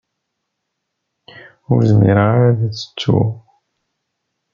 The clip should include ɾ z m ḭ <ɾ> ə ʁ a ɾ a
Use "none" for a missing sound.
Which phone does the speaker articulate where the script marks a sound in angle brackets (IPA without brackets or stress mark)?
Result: ɾ